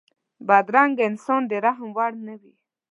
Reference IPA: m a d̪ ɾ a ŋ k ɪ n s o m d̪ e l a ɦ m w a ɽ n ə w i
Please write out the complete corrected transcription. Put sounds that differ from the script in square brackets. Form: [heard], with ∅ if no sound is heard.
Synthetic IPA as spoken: [b] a d̪ ɾ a ŋ [ɡ] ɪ n s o [n] d̪ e [ɾ] a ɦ m w a ɽ n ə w i